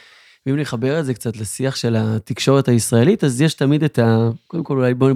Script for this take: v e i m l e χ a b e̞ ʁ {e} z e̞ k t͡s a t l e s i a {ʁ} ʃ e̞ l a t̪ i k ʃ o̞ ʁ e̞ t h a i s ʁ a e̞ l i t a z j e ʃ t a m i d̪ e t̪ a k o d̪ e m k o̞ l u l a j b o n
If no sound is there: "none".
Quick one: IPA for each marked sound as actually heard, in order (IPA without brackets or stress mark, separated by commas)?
e, χ